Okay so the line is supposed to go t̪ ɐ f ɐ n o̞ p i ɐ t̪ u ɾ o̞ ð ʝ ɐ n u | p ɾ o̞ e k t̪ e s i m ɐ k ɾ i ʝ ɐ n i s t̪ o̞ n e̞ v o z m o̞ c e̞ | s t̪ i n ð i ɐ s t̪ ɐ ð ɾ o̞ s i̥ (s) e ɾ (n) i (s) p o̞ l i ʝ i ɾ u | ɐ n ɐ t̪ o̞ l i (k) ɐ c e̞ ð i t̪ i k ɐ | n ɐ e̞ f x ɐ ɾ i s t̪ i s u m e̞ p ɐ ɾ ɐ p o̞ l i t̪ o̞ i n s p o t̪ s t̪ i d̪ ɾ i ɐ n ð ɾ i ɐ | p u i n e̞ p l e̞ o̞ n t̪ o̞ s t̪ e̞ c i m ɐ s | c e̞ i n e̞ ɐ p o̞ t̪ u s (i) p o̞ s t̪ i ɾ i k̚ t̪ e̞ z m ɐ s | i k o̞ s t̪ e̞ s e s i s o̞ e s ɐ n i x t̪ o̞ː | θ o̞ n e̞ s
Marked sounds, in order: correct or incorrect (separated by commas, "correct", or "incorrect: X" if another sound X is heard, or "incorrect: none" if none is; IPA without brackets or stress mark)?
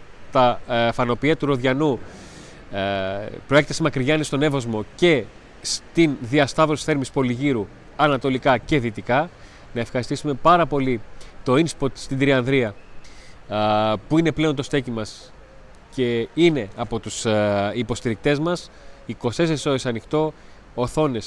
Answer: incorrect: θ, incorrect: m, correct, correct, correct